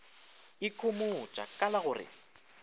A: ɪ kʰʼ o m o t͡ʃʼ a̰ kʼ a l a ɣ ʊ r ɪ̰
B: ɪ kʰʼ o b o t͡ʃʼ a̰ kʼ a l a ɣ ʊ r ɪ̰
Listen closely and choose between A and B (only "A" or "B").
A